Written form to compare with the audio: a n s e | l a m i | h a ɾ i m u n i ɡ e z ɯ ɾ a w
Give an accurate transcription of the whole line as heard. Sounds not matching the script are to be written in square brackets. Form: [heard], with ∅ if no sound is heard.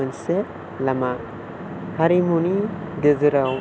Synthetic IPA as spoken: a n s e | l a m [a] | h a ɾ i m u n i [d] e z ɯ ɾ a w